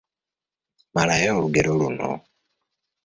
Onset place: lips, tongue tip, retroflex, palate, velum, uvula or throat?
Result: lips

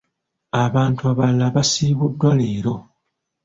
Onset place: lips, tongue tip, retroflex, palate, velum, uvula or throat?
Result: lips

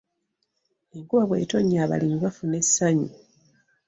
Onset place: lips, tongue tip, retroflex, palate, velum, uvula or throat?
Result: velum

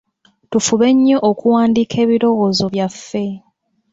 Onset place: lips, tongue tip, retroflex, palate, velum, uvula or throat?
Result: tongue tip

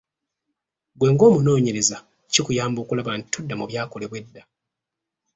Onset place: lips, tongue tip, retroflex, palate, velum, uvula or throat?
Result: velum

